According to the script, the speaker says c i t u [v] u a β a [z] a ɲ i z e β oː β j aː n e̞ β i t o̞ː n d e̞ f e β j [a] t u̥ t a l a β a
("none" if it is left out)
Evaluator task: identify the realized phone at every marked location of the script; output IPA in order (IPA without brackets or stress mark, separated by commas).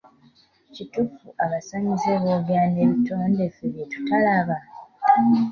f, s, e